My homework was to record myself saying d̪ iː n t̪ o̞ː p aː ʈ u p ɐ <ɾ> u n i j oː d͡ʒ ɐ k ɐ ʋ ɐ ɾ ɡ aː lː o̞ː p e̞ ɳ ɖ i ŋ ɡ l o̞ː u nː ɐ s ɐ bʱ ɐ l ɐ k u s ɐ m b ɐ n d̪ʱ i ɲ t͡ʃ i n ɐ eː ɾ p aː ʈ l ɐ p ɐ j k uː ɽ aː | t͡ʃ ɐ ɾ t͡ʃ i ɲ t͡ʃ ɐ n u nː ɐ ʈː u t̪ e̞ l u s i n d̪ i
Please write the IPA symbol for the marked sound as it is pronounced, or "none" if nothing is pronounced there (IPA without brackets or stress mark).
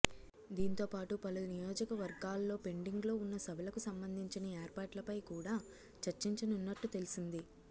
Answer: l